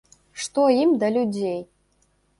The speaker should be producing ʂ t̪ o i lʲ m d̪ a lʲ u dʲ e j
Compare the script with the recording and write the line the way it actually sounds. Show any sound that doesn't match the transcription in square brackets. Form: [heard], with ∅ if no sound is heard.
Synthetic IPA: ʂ t̪ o i [∅] m d̪ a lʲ u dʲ e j